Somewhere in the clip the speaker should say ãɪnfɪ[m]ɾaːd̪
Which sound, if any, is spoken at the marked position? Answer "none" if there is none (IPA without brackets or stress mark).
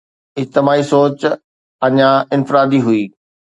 none